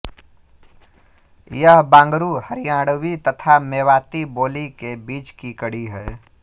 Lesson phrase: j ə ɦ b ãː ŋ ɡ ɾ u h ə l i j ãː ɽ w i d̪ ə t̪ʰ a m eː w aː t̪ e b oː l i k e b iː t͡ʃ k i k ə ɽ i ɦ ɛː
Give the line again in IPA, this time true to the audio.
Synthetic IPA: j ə ɦ b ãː ŋ ɡ ɾ u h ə ɾ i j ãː ɽ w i t̪ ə t̪ʰ a m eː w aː t̪ i b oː l i k e b iː t͡ʃ k i k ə ɽ i ɦ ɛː